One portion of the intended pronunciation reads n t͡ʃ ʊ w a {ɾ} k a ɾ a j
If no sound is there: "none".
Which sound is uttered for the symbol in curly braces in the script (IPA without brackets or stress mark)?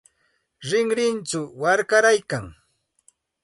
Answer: ɾ